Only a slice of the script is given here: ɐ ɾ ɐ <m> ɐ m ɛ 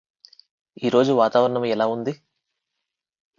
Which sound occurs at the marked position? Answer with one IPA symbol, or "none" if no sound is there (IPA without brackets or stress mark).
ɳ